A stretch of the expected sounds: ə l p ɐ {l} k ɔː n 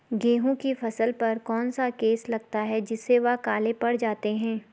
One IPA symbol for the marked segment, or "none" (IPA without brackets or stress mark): ɾ